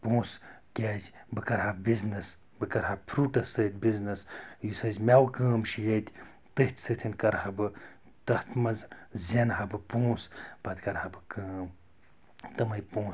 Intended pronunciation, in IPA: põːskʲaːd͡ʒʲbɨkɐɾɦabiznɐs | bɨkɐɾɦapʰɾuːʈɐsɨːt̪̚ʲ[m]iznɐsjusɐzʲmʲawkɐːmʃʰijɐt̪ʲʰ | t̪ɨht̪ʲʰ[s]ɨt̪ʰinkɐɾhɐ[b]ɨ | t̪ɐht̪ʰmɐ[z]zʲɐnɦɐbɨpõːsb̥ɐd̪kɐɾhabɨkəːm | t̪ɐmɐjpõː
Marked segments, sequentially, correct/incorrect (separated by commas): incorrect, correct, correct, correct